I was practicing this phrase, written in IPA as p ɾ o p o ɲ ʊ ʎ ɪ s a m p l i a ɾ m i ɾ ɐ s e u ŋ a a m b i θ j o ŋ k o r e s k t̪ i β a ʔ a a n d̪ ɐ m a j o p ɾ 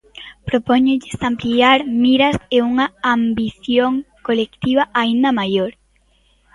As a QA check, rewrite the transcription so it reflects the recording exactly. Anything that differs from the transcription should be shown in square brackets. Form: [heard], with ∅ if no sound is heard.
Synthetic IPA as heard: p ɾ o p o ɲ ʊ ʎ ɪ s a m p l i a ɾ m i ɾ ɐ s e u ŋ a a m b i θ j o ŋ k o [l] e [∅] k t̪ i β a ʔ a [i] n d̪ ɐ m a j o [∅] ɾ